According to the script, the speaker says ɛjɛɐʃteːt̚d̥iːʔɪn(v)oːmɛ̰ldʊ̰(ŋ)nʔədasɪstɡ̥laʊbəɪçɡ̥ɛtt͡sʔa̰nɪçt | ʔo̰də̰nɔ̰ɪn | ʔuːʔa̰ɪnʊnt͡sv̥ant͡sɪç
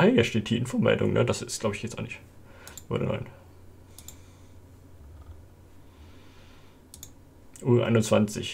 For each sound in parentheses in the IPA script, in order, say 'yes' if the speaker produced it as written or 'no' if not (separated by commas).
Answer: no, yes